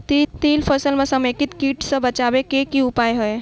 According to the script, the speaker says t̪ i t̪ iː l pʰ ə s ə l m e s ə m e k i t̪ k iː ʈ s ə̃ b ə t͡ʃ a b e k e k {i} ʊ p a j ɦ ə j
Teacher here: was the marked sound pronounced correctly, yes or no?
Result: yes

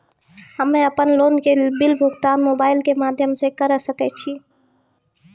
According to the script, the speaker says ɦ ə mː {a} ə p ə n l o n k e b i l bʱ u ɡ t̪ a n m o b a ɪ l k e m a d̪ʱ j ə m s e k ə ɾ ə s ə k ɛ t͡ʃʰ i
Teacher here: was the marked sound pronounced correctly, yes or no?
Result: no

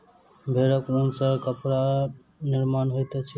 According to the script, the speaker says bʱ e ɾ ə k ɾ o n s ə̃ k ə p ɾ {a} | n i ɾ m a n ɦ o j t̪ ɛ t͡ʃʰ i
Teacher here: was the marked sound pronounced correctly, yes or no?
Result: yes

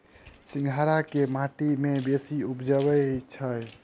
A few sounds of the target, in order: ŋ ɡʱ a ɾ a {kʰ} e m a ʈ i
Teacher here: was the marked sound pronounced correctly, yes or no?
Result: no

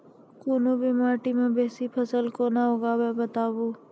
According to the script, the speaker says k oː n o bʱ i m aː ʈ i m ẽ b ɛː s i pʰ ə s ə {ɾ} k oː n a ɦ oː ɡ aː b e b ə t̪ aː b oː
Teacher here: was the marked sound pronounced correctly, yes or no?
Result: no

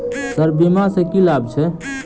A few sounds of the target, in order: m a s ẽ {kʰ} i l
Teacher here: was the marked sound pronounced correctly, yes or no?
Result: no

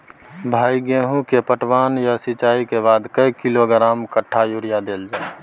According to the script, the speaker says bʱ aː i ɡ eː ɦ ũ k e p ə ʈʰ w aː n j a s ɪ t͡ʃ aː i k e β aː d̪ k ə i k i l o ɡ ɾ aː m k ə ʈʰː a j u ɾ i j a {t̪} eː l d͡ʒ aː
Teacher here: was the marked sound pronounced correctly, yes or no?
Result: no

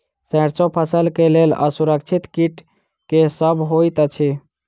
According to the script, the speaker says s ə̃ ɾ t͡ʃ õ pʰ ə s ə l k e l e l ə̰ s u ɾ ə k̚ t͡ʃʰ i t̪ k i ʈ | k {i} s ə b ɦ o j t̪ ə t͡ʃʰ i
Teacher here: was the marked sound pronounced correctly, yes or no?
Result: no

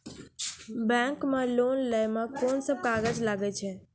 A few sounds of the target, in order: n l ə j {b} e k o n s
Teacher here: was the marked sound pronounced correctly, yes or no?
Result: no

